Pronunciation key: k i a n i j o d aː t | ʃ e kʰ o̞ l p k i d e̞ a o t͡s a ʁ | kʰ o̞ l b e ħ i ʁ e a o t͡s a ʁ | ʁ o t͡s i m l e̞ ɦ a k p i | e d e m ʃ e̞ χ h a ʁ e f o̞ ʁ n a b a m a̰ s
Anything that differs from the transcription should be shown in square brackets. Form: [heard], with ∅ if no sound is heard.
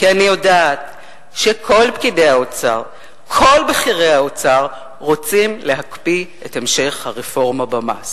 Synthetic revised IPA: k i a n i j o d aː t | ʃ e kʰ o̞ l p k i d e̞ a o t͡s a ʁ | kʰ o̞ l b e [χ] i ʁ e a o t͡s a ʁ | ʁ o t͡s i m l e̞ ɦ a k p i | e [t] e m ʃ e̞ χ h a ʁ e f o̞ ʁ [m] a b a m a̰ s